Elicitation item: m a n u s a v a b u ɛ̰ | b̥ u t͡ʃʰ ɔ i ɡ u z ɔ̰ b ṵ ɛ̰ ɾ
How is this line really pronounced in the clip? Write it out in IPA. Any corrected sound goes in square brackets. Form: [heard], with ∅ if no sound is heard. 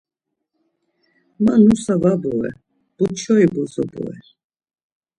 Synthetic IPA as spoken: m a n u s a v a b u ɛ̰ | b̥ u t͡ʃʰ ɔ i [b] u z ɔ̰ b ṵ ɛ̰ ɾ